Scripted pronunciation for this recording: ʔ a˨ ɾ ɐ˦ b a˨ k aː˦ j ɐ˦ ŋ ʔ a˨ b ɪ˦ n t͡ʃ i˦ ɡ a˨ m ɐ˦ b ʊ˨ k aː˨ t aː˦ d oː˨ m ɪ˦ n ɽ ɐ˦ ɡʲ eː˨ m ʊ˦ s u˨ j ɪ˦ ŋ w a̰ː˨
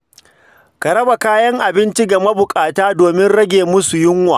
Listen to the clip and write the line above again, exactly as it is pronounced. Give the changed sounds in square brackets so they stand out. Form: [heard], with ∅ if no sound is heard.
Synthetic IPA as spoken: [k] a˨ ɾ ɐ˦ b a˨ k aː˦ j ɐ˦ ŋ ʔ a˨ b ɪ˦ n t͡ʃ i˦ ɡ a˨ m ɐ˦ b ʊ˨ [kʼ] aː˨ t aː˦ d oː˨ m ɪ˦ n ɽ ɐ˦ ɡʲ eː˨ m ʊ˦ s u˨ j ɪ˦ ŋ w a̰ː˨